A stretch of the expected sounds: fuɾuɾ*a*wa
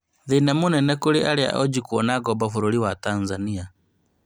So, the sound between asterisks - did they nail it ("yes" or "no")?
no